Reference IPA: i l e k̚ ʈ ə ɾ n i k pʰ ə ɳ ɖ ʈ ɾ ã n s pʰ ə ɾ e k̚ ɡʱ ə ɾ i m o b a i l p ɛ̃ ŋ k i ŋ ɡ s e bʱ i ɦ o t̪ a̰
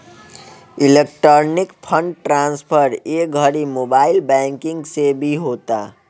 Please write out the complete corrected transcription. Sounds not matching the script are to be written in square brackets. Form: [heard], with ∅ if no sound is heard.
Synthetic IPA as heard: i l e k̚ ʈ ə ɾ n i k pʰ ə ɳ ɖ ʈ ɾ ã n s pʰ ə ɾ e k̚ ɡʱ ə ɾ i m o b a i l [b] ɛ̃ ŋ k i ŋ ɡ s e bʱ i ɦ o t̪ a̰

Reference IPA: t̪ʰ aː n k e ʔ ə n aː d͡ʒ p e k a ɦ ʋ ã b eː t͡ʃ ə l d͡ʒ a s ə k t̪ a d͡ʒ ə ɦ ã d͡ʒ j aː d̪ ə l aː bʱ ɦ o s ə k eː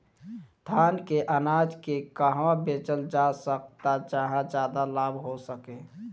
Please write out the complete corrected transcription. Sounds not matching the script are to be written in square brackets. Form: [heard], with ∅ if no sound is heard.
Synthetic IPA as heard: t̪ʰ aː n k e ʔ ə n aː d͡ʒ [k] e k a ɦ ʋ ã b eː t͡ʃ ə l d͡ʒ a s ə k t̪ a d͡ʒ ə ɦ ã d͡ʒ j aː d̪ [a] l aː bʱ ɦ o s ə k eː

